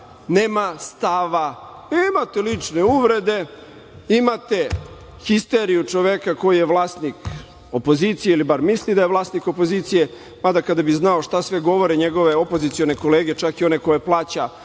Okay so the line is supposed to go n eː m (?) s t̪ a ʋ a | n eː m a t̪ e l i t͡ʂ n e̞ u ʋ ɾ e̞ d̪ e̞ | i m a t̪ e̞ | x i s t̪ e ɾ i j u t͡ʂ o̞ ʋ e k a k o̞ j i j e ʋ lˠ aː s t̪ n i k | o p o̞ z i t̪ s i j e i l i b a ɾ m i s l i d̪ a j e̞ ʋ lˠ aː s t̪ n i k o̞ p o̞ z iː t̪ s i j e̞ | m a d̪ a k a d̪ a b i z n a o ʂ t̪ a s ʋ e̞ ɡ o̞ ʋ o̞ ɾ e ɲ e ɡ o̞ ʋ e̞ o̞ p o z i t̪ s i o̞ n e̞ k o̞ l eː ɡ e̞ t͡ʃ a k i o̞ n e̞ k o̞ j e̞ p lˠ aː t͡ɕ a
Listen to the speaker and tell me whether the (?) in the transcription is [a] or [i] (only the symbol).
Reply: a